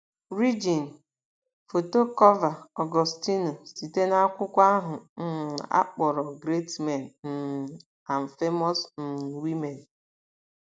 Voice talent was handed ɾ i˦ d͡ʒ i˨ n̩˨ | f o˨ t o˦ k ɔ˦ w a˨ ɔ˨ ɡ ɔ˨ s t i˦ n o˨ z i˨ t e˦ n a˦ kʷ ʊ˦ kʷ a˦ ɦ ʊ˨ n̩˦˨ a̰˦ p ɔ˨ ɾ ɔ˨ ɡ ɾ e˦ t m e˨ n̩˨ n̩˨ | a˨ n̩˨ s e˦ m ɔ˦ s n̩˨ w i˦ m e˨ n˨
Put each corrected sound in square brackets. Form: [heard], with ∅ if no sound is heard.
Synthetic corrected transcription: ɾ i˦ d͡ʒ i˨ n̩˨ | f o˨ t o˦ k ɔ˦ [v] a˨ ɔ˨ ɡ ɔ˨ s t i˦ n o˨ [s] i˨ t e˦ n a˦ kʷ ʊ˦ kʷ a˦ ɦ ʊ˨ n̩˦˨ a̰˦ [k͡p] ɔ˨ ɾ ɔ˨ ɡ ɾ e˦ t m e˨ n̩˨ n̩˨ | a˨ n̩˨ [f] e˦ m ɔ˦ s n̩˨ w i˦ m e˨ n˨